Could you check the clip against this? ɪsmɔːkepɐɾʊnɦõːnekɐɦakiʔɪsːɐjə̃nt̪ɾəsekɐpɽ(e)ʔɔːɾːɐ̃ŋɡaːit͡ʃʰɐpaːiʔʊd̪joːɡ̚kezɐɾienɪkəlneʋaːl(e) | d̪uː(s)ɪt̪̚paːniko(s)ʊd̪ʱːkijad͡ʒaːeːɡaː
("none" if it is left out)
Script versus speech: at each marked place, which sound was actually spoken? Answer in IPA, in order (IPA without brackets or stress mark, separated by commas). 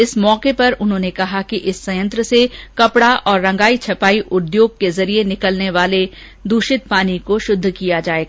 a, e, ʃ, ʃ